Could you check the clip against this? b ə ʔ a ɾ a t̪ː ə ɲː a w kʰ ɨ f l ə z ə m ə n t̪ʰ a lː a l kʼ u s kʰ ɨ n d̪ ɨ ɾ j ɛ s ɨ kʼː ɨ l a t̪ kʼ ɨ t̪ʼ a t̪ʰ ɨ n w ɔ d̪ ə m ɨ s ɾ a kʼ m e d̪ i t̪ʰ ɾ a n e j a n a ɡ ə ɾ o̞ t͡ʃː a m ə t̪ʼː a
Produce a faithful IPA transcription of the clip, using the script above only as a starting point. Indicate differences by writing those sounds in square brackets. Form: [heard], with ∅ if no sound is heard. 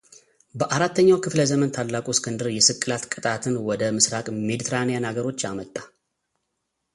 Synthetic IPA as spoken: b ə ʔ a ɾ a t̪ː ə ɲː a w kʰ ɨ f l ə z ə m ə n t̪ʰ a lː a [∅] kʼ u s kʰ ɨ n d̪ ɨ ɾ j ɛ s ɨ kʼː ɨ l a t̪ kʼ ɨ t̪ʼ a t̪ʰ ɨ n w ɔ d̪ ə m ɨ s ɾ a kʼ m e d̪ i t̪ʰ ɾ a n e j a n a ɡ ə ɾ o̞ t͡ʃː a m ə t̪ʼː a